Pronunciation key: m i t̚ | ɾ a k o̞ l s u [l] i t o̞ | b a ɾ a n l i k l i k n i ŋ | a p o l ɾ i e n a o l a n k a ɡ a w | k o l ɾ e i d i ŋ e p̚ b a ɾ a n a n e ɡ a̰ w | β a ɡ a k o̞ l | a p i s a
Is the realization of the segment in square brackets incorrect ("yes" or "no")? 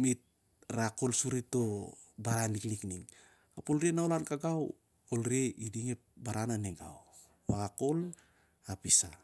yes